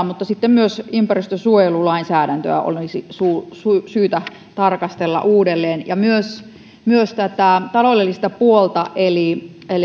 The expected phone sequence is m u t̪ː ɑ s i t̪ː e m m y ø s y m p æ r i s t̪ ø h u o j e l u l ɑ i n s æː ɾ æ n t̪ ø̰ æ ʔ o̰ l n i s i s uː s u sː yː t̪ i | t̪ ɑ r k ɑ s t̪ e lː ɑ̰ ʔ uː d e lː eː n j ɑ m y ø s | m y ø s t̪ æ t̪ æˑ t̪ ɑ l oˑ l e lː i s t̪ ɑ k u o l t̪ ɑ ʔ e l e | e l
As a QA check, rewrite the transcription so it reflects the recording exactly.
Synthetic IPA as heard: m u t̪ː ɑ s i t̪ː e m m y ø s y m p æ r i s t̪ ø s u o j e l u l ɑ i n s æː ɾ æ n t̪ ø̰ æ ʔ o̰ l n i s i s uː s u s yː t̪ æ | t̪ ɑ r k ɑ s t̪ e lː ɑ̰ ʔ uː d e lː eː n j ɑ m y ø s | m y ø s t̪ æ t̪ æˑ t̪ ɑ l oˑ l e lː i s t̪ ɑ p u o l t̪ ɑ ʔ e l i | e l

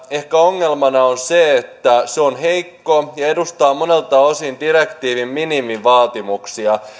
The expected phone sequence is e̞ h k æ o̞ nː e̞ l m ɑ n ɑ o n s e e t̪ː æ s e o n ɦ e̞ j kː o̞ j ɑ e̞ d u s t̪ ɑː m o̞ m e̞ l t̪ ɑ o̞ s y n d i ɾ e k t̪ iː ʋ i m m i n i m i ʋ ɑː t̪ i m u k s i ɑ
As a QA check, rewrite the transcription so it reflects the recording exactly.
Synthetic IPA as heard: e̞ h k æ o̞ ŋː e̞ l m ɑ n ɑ o n s e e t̪ː æ s e o n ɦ e̞ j kː o̞ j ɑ e̞ d u s t̪ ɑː m o̞ n e̞ l t̪ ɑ o̞ s i n d i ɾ e k t̪ iː ʋ i m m i n i m i ʋ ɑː t̪ i m u k s i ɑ

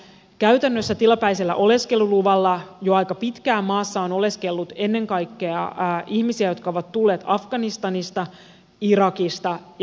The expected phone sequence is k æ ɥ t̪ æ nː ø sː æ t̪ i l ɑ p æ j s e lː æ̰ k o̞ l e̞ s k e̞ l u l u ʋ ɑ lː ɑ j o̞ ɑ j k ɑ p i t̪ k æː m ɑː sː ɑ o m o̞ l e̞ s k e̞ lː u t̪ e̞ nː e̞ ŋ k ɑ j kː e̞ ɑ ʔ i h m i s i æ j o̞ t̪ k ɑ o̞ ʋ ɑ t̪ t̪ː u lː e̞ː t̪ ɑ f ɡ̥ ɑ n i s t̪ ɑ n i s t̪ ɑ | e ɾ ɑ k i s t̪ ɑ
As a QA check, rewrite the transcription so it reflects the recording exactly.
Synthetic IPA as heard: k æ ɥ t̪ æ nː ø sː æ t̪ i l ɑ p æ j s e lː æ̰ ʔ o̞ l e̞ s k e̞ l u l u ʋ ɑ lː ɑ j o̞ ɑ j k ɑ p i t̪ k æː m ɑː sː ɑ o n o̞ l e̞ s k e̞ lː u t̪ e̞ nː e̞ ŋ k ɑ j kː e̞ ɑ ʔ i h m i s i æ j o̞ t̪ k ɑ o̞ ʋ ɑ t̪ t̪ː u lː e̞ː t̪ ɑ f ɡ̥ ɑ n i s t̪ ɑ n i s t̪ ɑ | i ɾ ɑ k i s t̪ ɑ

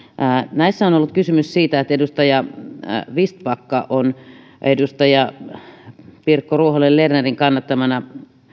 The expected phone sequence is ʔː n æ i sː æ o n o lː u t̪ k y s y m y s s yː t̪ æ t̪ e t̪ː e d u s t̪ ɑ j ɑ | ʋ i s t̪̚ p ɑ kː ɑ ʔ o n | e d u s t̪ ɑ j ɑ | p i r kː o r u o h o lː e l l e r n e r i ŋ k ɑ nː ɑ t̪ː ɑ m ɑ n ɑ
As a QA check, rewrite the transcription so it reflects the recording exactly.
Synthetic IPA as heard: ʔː n æ i sː æ o n o lː u t̪ k y s y m y s s iː t̪ æ e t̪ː e d u s t̪ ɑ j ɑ | ʋ i s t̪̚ p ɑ kː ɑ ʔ o n | e d u s t̪ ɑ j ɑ | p i r kː o r u o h o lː e l l e r n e r i ŋ k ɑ nː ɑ t̪ː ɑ m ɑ n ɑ

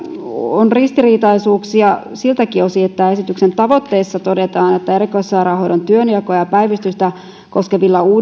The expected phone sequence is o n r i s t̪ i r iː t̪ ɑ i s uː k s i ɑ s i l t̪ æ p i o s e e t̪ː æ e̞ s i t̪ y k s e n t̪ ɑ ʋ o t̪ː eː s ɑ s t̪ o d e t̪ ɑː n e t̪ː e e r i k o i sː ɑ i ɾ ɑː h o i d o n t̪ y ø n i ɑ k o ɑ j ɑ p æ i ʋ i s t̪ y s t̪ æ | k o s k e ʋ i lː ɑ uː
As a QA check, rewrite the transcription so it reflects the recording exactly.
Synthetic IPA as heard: o n r i s t̪ i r iː t̪ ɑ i s uː k s i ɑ s i l t̪ æ k i o s i e t̪ː æ e̞ s i t̪ y k s e n t̪ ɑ ʋ o t̪ː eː sː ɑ t̪ o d e t̪ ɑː n e t̪ː æ e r i k o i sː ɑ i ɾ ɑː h o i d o n t̪ y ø n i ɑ k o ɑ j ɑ p æ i ʋ i s t̪ y s t̪ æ | k o s k e ʋ i lː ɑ uː

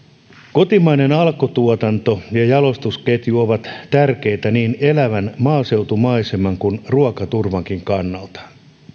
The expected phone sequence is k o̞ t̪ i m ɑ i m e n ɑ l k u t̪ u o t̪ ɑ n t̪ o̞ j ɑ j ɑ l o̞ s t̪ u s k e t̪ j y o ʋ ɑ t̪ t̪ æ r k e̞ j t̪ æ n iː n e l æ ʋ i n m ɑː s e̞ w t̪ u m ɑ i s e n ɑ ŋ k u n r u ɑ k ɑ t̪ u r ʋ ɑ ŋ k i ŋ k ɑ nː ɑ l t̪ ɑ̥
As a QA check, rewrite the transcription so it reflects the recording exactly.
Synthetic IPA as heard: k o̞ t̪ i m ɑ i n e n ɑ l k o t̪ u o t̪ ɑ n t̪ o̞ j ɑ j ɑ l o̞ s t̪ u s k e t̪ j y o ʋ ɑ t̪ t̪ æ r k e̞ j t̪ æ n iː n e l æ ʋ æ n m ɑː s e̞ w t̪ u m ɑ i s e m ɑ ŋ k u n r u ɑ k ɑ t̪ u r ʋ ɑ ŋ k i ŋ k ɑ nː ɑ l t̪ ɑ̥

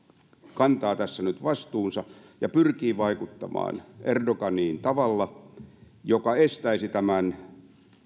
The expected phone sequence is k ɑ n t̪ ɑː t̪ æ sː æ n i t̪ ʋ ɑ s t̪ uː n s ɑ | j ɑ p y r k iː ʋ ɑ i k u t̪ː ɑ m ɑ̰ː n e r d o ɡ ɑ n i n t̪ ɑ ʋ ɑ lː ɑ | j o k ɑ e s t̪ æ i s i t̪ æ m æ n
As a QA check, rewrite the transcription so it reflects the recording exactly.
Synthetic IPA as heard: k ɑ n t̪ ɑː t̪ æ sː æ n y t̪ ʋ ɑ s t̪ uː n s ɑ | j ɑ p y r k iː ʋ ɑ i k u t̪ː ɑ m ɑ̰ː n e r d o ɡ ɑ n iː n t̪ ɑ ʋ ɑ lː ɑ | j o k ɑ e s t̪ æ i s i t̪ æ m æ n

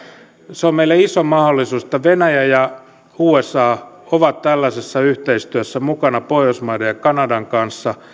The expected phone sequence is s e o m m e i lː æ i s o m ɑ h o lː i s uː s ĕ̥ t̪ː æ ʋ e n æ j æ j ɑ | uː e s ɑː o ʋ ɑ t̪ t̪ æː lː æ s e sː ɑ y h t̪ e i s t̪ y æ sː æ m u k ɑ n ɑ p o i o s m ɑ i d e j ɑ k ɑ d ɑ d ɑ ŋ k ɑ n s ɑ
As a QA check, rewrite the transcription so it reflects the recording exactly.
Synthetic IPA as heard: s e o m m e i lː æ i s o m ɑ h o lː i s uː s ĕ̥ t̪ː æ ʋ e n æ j æ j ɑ | uː e s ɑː o ʋ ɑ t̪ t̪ æ lː æ s e sː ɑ y h t̪ e i s t̪ y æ sː æ m u k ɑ n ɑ p o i o s m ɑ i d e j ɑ k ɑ n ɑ d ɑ ŋ k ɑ n sː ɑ

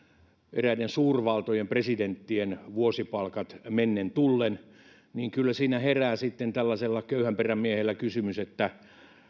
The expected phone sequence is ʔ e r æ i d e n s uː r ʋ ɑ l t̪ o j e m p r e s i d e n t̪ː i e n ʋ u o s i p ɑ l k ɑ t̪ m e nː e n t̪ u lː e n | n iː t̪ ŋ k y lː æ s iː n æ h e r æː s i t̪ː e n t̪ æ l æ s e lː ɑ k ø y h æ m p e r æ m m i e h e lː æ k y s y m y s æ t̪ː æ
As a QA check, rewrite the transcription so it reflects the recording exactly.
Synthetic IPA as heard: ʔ e r æ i d e n s uː r ʋ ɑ l t̪ o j e m p r e s i d e n t̪ː i e n ʋ u o s i p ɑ l k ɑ t̪ m e nː e n t̪ u lː e n | n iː ŋ k y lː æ s iː n æ h e r æː s i t̪ː e n t̪ æ lː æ s e lː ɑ k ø y h æ m p e r æ m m i e h e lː æ k y s y m y s e t̪ː æ

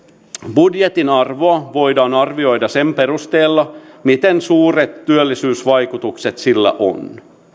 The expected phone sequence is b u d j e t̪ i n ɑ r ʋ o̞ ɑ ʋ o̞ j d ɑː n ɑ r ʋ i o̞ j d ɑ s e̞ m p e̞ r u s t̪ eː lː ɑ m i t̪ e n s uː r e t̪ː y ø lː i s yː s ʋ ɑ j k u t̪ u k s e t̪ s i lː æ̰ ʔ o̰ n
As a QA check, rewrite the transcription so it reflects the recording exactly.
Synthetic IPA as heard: b u d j e t̪ i n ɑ r ʋ o̞ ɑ ʋ o̞ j d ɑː n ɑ r ʋ i o̞ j d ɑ s e̞ m p e̞ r u s t̪ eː lː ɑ m i t̪ e n s uː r e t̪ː y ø lː i s yː s ʋ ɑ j k u t̪ u k s e t̪ s i lː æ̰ ʔ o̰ n

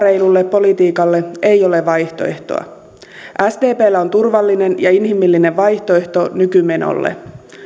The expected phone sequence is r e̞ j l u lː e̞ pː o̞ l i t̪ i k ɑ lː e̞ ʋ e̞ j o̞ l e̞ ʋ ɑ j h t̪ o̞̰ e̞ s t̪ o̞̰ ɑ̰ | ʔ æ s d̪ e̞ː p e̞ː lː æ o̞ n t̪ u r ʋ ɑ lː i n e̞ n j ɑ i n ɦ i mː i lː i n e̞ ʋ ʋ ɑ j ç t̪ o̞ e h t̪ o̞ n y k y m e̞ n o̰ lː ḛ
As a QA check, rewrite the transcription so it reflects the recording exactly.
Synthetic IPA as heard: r e̞ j l u lː e̞ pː o̞ l i t̪ iː k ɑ lː e̞ e̞ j o̞ l e̞ ʋ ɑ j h t̪ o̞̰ e̞ h t̪ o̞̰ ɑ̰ | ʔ æ s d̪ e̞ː p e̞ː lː æ o̞ n t̪ u r ʋ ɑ lː i n e̞ n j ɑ i n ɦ i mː i lː i n e̞ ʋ ʋ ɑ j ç t̪ o̞ e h t̪ o̞ n y k y m e̞ n o̰ lː ḛ

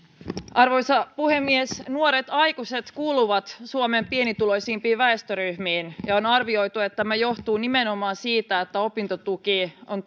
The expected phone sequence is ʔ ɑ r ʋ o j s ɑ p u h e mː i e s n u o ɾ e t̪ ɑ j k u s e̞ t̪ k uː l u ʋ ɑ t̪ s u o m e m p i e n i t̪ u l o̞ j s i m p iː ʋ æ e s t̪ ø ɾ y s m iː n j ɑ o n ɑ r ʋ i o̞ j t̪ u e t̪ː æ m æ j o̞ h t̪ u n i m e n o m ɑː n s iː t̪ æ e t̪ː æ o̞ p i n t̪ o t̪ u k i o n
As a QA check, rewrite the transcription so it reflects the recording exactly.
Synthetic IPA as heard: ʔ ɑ r ʋ o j s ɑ p u h e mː i e s n u o ɾ e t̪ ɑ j k u s e̞ t̪ k uː l u ʋ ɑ t̪ s u o m e m p i e n i t̪ u l o̞ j s iː m p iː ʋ æ e s t̪ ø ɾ y h m iː n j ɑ o n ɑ r ʋ i o̞ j t̪ u e t̪ː æ m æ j o̞ h t̪ uː n i m e n o m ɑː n s iː t̪ æ e t̪ː æ o̞ p i n t̪ o t̪ u k i o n

